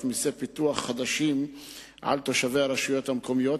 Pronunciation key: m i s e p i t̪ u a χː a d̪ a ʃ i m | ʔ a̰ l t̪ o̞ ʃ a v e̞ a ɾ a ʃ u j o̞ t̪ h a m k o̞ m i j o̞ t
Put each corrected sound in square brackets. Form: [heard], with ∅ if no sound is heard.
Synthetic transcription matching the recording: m i s e p i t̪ u a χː a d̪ a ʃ i m | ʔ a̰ l t̪ o̞ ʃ a v e̞ a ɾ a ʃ u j o̞ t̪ h a m k o̞ m i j o̞ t